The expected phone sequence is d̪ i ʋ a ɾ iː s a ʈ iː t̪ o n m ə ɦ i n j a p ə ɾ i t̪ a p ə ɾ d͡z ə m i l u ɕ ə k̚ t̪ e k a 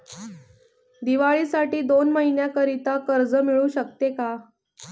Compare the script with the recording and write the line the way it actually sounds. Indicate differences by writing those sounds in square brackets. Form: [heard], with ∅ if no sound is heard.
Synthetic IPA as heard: d̪ i ʋ a [ɭ] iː s a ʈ iː [d̪] o n m ə ɦ i n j a [k] ə ɾ i t̪ a [k] ə ɾ d͡z ə m i [ɭ] u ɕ ə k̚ t̪ e k a